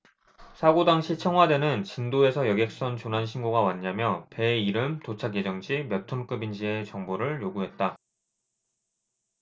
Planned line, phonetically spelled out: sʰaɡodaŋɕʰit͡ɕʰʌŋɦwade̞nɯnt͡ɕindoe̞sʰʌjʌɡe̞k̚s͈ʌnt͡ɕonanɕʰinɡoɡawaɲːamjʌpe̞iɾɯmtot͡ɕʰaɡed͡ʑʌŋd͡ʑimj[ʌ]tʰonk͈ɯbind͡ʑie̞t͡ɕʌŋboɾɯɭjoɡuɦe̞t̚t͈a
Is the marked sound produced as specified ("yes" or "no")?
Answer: yes